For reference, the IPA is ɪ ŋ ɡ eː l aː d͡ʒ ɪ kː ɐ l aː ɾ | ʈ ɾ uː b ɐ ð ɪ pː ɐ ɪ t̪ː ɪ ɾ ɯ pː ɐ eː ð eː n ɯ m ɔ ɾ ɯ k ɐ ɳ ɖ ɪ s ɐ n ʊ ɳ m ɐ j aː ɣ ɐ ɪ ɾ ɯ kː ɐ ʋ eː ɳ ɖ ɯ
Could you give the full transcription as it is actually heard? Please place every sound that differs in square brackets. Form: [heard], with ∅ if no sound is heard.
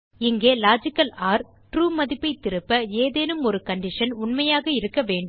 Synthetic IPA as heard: ɪ ŋ ɡ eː l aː d͡ʒ ɪ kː ɐ l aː ɾ | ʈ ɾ uː [m] ɐ ð ɪ pː ɐ ɪ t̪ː ɪ ɾ ɯ pː ɐ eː ð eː n ɯ m ɔ ɾ ɯ k ɐ ɳ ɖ ɪ [ʂ] ɐ n ʊ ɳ m ɐ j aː ɣ ɐ ɪ ɾ ɯ kː ɐ ʋ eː ɳ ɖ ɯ